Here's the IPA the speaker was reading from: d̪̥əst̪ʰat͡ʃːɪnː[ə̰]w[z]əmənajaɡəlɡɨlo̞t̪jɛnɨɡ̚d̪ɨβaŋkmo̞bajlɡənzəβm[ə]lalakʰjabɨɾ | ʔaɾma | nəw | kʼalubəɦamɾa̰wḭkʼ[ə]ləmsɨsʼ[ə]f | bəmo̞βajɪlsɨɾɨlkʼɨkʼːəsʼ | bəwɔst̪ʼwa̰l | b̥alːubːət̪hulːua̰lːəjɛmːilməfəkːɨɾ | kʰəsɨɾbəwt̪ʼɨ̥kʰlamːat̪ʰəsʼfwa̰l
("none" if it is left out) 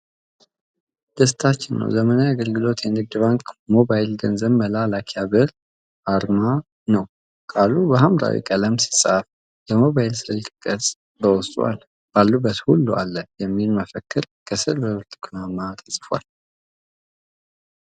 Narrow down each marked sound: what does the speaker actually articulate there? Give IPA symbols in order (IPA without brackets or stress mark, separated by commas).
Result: ə̰, z, ə, ə, a